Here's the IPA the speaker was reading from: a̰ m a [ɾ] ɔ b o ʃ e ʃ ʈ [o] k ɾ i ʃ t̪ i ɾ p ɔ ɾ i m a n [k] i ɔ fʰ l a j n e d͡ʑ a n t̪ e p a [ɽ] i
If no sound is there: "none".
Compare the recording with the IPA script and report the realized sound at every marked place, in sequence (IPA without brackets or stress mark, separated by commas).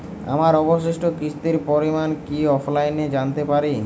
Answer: ɾ, o, k, ɾ